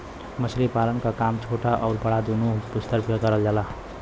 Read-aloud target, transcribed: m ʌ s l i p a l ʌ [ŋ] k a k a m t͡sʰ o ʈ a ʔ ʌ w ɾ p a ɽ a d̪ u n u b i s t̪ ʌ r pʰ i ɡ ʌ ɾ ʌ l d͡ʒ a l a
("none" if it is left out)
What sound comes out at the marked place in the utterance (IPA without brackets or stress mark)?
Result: n